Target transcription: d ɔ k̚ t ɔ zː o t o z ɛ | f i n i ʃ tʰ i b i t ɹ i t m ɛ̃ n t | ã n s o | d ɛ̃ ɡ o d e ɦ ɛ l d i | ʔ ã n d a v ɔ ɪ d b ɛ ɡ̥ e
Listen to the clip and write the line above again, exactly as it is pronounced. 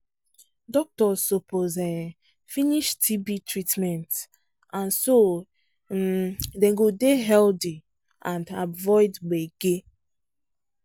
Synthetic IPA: d ɔ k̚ t ɔ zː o p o z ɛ | f i n i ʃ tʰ i b i t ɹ i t m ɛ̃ n t | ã n s o | d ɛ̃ ɡ o d e ɦ ɛ l d i | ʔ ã n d a v ɔ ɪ d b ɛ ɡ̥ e